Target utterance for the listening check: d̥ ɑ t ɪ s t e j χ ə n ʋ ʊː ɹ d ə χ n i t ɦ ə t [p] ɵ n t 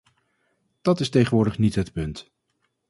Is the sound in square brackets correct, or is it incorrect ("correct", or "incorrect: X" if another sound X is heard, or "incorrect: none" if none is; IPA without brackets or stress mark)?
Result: correct